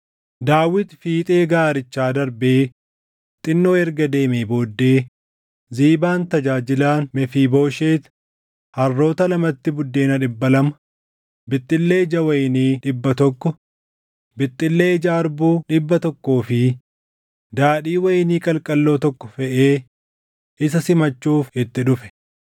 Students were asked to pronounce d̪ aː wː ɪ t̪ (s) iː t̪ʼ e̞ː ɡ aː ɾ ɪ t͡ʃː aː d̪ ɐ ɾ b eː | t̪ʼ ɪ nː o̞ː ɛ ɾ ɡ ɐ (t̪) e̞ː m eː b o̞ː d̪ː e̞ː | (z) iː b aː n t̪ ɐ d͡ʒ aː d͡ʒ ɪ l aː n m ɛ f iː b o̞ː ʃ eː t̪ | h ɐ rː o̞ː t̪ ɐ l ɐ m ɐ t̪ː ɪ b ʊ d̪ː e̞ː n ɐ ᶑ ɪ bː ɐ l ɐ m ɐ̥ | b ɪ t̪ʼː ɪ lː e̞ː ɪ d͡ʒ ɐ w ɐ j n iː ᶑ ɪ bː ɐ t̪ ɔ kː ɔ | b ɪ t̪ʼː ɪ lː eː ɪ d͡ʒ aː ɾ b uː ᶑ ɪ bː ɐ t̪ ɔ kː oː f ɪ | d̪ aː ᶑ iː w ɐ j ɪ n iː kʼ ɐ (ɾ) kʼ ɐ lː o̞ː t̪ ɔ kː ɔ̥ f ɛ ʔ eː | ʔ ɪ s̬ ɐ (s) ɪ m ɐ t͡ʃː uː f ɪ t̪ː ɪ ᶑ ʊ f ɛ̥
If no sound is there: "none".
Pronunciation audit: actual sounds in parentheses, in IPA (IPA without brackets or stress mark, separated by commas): f, d̪, z, l, s